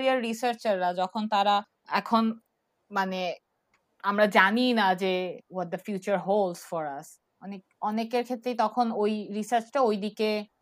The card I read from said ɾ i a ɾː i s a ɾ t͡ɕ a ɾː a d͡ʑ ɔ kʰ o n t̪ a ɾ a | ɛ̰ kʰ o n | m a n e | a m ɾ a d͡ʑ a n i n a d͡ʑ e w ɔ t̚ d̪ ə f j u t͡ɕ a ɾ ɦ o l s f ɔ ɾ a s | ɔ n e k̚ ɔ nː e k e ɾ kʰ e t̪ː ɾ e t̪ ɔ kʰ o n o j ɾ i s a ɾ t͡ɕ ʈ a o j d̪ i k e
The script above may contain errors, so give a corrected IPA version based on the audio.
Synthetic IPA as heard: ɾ i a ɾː i s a ɾ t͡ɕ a ɾː a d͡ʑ ɔ kʰ o n t̪ a ɾ a | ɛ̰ kʰ o n | m a n e | a m ɾ a d͡ʑ a n i n a d͡ʑ e w ɔ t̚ d̪ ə f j u t͡ɕ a ɾ ɦ o l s f ɔ ɾ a s | ɔ n e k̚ ɔ n e k e ɾ kʰ e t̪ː ɾ e t̪ ɔ kʰ o n o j ɾ i s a ɾ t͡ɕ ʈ a o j d̪ i k e